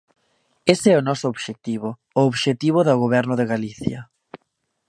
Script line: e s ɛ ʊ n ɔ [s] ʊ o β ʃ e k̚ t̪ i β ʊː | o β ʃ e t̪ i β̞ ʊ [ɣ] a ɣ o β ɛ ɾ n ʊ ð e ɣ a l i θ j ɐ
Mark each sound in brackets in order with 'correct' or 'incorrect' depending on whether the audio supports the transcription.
correct, incorrect

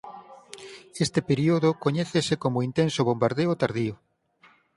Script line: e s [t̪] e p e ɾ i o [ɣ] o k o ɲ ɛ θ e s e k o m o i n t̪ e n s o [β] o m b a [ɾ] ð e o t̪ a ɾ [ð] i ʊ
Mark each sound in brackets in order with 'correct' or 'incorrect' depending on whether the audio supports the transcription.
correct, incorrect, correct, correct, correct

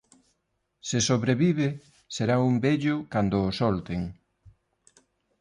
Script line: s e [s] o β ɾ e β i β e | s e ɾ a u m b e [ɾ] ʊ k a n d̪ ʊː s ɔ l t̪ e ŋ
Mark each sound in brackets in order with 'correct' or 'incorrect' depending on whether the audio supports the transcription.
correct, incorrect

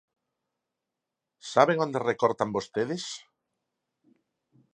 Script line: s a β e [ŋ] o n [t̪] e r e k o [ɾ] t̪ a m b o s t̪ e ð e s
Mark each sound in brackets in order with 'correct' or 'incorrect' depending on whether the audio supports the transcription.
correct, incorrect, correct

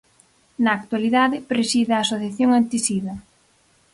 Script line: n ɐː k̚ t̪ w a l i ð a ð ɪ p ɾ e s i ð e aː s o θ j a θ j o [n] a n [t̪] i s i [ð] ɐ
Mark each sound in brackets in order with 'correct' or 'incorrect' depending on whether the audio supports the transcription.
incorrect, correct, correct

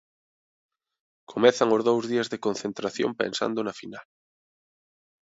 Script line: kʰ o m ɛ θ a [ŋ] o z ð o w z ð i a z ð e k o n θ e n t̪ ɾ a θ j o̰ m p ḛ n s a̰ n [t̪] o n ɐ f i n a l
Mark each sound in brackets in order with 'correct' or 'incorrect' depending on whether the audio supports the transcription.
correct, incorrect

